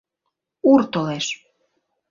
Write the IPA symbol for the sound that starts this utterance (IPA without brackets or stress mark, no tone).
u